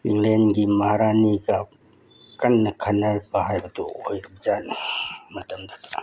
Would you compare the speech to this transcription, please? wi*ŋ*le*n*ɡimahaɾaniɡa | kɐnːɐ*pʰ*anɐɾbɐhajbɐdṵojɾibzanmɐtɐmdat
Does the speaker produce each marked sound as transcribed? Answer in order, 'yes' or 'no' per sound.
yes, yes, no

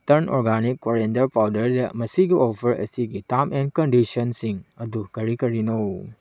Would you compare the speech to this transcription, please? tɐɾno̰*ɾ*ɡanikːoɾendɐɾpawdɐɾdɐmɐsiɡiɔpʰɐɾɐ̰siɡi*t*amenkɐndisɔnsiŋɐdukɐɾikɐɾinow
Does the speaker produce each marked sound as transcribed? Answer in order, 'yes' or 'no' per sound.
yes, yes

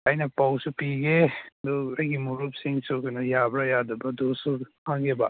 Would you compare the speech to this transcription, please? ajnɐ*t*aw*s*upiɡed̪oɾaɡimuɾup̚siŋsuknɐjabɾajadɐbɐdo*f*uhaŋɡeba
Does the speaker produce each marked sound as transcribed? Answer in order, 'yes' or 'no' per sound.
no, yes, no

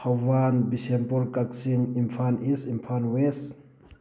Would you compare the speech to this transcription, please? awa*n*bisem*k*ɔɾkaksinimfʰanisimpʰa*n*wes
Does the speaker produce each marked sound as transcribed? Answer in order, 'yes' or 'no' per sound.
yes, no, yes

